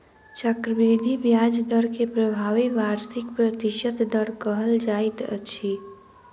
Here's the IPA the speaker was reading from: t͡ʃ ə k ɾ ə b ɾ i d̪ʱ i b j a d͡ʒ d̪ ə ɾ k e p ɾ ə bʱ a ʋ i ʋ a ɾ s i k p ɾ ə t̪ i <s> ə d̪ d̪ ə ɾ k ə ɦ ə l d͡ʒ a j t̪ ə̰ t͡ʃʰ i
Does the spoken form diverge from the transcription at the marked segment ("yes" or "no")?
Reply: yes